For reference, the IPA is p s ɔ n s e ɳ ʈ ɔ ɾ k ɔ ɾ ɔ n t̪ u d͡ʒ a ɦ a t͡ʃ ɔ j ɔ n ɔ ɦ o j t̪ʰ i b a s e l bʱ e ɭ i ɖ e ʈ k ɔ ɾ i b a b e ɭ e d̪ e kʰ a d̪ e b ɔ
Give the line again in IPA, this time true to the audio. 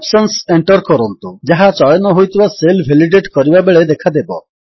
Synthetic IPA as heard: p s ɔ n s e ɳ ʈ ɔ ɾ k ɔ ɾ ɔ n t̪ u d͡ʒ a ɦ a t͡ʃ ɔ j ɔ n ɔ ɦ o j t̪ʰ i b a s e l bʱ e l i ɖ e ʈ k ɔ ɾ i b a b e ɭ e d̪ e kʰ a d̪ e b ɔ